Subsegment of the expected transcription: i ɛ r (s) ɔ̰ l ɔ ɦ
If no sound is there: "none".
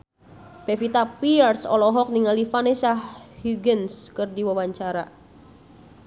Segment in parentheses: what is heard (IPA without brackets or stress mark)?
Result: s